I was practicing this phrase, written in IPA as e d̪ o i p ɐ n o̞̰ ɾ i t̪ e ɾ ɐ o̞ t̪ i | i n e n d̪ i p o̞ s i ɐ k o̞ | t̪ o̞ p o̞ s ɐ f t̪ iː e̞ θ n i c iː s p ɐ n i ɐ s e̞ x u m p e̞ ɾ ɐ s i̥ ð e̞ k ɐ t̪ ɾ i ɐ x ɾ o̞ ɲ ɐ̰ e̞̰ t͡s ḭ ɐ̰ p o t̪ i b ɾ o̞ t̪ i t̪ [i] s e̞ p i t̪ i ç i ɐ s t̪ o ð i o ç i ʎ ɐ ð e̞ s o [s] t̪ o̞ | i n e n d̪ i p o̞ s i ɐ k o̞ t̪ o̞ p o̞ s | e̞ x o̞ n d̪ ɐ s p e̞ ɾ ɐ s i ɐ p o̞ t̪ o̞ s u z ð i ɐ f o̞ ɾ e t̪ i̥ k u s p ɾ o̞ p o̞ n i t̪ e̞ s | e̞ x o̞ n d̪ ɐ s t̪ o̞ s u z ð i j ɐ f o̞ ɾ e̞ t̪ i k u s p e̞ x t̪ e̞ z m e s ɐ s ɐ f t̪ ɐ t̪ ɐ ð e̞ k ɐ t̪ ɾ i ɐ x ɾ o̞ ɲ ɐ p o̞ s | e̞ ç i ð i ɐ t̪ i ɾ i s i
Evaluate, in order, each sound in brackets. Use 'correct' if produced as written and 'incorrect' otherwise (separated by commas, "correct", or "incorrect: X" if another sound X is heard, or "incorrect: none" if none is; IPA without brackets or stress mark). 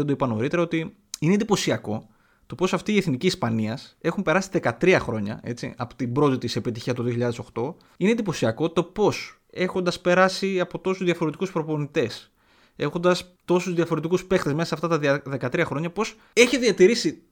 correct, incorrect: x